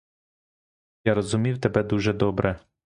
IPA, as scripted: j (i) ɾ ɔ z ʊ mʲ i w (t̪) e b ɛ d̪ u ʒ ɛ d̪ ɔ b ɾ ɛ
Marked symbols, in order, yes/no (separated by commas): no, yes